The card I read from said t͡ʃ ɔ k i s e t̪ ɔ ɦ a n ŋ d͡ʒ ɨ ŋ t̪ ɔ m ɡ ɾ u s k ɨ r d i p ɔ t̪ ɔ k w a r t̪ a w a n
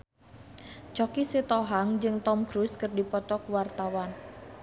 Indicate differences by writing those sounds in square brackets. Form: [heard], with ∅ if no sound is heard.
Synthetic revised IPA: t͡ʃ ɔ k i s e t̪ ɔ ɦ a [∅] ŋ d͡ʒ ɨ ŋ t̪ ɔ m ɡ ɾ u s k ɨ r d i p ɔ t̪ ɔ k w a r t̪ a w a n